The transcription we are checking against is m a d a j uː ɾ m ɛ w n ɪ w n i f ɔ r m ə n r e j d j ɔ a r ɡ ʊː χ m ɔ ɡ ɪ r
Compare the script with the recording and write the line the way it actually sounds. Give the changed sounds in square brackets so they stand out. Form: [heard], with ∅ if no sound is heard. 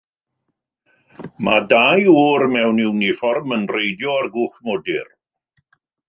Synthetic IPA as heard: m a d a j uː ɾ m ɛ w n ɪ w n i f ɔ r m ə n r e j d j ɔ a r ɡ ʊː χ m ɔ [d] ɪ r